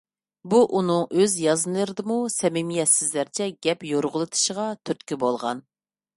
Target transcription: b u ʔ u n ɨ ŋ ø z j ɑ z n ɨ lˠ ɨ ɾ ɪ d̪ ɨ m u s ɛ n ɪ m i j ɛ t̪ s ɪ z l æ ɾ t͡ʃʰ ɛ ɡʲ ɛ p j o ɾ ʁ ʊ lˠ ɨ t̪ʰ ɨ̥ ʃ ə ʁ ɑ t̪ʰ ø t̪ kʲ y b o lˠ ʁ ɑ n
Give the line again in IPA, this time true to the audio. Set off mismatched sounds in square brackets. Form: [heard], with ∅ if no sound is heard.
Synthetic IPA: b u ʔ u n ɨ ŋ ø z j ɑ z n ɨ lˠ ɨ ɾ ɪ d̪ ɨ m u s ɛ [m] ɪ m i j ɛ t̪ s ɪ z l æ ɾ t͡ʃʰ ɛ ɡʲ ɛ p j o ɾ ʁ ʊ lˠ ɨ t̪ʰ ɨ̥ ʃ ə ʁ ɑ t̪ʰ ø t̪ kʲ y b o lˠ ʁ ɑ n